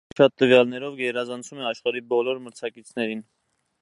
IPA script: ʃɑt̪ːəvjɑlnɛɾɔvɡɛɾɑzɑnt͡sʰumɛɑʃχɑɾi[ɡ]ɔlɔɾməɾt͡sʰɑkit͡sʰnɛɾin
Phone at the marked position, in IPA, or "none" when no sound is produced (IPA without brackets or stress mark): b